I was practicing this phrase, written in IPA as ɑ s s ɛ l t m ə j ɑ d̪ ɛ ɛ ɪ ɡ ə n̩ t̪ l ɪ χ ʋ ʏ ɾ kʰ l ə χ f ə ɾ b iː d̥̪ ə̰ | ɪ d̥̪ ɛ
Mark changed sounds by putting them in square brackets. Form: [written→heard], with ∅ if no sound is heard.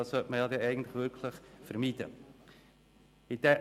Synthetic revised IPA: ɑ s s [ɛ→œ] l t m ə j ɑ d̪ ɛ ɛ ɪ ɡ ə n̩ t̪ l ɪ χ ʋ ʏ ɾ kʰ l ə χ f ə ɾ [b→m] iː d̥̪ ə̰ | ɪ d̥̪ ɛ